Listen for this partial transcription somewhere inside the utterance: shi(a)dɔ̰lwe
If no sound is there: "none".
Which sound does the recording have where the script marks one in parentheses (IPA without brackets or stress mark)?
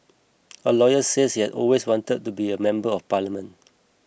ɛ